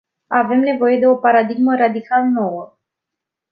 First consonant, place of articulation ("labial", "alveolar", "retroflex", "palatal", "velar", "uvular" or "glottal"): labial